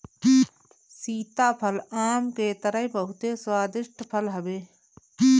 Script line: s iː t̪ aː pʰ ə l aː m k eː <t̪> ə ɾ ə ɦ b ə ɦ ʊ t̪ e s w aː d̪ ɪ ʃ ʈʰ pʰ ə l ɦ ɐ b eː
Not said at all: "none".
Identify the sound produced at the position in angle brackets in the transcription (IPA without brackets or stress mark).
t̪